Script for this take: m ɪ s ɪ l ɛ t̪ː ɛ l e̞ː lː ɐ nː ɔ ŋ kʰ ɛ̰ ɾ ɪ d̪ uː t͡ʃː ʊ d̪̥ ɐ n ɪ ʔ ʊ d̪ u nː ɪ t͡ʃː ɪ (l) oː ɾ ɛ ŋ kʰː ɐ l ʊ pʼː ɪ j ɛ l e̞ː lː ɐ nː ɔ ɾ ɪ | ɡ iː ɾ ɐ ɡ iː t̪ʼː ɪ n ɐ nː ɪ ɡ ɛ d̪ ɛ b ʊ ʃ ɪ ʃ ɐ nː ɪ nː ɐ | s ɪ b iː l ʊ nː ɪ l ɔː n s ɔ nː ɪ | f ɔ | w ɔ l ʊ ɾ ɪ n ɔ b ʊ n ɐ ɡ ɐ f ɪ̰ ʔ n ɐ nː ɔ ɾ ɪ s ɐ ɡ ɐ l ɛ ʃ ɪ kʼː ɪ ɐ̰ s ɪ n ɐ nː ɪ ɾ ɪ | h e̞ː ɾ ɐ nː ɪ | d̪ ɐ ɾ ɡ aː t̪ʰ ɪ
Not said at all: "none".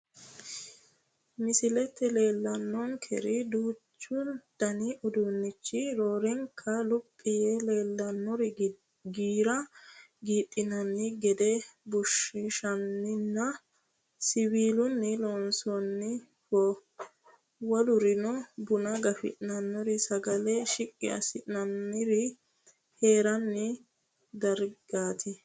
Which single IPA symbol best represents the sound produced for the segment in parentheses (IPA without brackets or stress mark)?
ɾ